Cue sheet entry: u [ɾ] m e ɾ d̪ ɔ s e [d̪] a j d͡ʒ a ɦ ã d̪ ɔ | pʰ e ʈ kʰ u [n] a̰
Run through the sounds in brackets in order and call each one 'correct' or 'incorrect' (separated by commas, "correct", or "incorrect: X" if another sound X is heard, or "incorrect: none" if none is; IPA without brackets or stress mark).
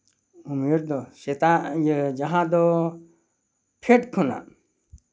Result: incorrect: none, incorrect: t̪, correct